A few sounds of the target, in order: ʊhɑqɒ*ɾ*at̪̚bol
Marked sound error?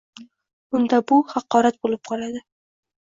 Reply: no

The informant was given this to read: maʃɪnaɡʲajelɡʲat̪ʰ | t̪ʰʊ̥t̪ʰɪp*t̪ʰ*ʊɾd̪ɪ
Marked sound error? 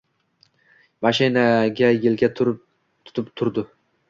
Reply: no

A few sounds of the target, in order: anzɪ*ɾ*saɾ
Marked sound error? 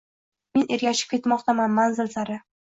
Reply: yes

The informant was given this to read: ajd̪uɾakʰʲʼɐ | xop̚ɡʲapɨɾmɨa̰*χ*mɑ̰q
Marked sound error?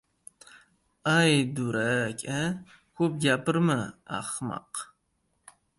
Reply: no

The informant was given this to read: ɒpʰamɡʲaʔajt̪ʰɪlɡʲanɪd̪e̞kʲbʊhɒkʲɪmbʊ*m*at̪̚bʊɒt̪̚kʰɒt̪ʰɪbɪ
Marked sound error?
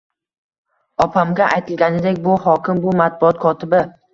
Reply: no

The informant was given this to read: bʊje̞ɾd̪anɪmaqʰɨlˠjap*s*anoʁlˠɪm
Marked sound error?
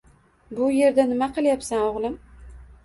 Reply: no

